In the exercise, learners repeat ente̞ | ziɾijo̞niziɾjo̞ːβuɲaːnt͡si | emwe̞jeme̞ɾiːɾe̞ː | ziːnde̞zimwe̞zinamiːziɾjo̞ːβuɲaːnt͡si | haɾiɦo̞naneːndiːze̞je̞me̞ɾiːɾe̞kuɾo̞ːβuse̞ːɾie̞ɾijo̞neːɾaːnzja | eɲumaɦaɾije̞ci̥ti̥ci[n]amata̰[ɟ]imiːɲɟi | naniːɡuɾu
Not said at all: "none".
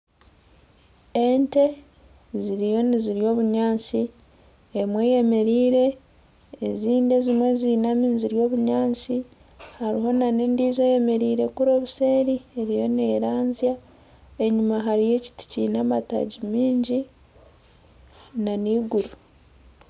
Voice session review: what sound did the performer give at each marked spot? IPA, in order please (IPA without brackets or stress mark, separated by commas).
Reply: n, ɟ